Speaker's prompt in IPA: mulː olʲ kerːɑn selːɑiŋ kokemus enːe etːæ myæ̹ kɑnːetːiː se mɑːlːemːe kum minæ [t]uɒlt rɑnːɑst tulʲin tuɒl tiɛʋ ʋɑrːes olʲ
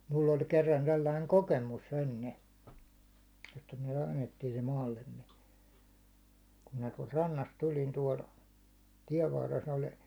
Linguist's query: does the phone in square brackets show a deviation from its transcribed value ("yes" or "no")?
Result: no